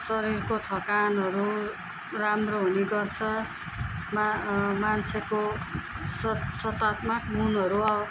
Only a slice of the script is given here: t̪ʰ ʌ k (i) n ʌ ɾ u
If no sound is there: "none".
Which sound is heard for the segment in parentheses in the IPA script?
a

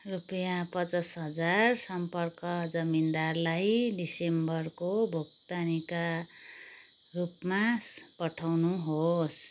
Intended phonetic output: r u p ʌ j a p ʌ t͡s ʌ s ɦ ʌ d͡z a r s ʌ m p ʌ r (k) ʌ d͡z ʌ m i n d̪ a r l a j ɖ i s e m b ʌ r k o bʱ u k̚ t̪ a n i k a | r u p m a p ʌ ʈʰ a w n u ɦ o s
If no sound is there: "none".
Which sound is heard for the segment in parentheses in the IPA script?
k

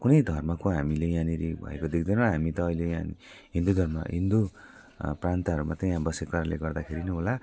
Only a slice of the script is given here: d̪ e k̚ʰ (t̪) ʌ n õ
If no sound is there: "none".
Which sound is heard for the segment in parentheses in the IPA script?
d̪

